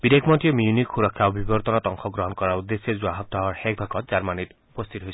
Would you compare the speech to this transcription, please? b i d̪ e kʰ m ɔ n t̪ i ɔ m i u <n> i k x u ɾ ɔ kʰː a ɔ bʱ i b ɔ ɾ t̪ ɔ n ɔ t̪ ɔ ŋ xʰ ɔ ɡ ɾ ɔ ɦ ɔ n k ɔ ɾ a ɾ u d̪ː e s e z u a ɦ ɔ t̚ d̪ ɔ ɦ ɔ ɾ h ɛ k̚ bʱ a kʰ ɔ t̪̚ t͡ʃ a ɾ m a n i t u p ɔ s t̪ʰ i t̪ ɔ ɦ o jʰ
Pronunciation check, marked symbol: correct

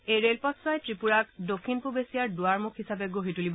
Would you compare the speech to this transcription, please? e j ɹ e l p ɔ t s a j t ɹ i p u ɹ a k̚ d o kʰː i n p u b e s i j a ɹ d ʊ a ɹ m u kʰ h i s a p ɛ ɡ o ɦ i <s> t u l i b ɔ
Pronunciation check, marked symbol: incorrect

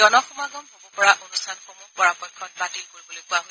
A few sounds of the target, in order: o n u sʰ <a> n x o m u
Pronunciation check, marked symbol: correct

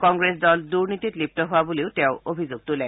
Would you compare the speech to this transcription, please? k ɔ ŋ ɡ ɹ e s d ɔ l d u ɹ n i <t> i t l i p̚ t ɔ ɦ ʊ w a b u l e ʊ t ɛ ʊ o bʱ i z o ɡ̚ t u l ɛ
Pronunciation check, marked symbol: correct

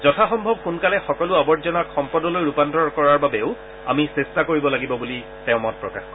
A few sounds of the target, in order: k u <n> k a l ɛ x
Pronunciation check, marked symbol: correct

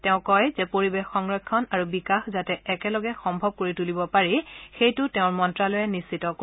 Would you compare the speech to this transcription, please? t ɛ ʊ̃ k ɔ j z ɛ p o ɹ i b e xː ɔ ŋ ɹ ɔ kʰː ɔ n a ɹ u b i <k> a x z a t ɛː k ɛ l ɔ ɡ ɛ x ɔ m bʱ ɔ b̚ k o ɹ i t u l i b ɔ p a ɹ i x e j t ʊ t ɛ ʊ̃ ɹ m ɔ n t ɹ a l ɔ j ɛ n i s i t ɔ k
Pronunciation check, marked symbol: correct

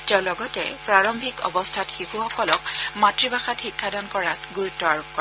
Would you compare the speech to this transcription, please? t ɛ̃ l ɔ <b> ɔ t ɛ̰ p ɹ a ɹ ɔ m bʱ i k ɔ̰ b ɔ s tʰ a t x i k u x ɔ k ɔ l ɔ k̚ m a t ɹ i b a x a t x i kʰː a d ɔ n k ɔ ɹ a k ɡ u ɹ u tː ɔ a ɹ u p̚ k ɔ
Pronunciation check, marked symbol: incorrect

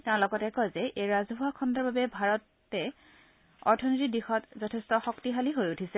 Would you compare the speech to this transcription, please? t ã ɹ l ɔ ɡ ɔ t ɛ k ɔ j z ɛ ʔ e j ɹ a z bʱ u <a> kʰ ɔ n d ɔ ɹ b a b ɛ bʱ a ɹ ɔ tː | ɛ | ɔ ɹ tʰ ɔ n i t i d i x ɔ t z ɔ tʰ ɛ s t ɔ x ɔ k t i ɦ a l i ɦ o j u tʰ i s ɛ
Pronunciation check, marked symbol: correct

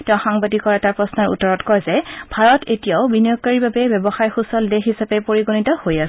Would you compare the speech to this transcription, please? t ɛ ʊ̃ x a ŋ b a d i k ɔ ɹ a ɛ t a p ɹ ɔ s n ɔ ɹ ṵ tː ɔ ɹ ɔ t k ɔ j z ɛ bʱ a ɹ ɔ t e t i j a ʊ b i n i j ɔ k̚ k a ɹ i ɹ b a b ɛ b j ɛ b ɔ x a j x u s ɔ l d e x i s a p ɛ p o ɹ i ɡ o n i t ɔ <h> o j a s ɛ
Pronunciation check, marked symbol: correct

